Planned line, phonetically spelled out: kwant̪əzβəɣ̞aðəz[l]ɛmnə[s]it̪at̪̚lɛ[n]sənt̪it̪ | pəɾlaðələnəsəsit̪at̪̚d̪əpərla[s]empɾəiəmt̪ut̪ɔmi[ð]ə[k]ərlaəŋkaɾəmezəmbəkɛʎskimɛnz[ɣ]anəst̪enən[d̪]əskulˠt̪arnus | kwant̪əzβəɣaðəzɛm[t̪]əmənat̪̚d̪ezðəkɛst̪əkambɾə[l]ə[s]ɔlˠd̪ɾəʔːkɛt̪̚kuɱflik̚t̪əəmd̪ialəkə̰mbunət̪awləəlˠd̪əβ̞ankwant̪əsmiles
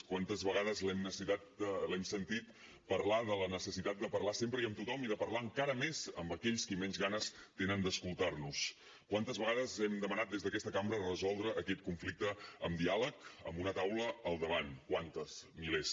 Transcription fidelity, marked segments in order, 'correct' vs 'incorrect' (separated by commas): correct, correct, incorrect, correct, correct, incorrect, correct, correct, incorrect, incorrect, incorrect